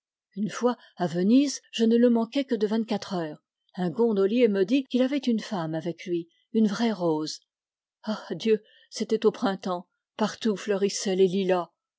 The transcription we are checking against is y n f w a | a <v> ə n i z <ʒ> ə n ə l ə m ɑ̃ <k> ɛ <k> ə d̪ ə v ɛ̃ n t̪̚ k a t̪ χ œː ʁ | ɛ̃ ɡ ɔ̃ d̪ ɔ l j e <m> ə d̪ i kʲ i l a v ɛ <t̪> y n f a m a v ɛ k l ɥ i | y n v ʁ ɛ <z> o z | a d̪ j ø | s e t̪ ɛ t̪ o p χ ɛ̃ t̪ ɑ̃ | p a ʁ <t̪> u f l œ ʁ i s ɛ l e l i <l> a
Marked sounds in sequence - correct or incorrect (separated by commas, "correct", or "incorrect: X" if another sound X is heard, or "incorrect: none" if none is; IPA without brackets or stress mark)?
correct, correct, correct, correct, correct, correct, incorrect: ʁ, correct, correct